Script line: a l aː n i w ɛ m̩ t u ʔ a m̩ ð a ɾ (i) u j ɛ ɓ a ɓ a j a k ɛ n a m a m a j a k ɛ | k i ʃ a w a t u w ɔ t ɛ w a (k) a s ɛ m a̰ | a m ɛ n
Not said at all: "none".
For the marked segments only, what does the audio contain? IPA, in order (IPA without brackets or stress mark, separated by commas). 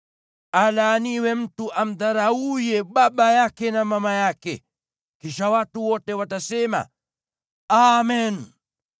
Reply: a, t